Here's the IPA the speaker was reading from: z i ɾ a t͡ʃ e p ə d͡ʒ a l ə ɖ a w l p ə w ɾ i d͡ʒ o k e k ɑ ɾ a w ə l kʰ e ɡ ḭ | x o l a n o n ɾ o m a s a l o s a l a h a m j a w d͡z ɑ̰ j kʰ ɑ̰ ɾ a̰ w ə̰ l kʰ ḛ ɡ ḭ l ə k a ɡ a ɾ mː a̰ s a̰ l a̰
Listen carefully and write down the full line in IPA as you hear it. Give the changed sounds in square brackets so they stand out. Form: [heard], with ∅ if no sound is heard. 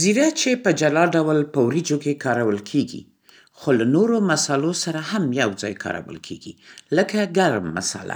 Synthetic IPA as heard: z i ɾ a t͡ʃ e p ə d͡ʒ a l [ɑ] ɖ a w l p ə w ɾ i d͡ʒ o k e k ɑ ɾ a w ə l kʰ e ɡ ḭ | x o l a n o [∅] ɾ o m a s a l o s a [ɾ] a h a m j a w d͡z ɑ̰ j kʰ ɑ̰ ɾ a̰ w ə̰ l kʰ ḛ ɡ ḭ l ə k a ɡ a ɾ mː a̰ s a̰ l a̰